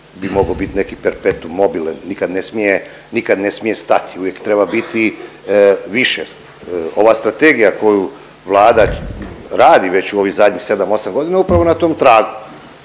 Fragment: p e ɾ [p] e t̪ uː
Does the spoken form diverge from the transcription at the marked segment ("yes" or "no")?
no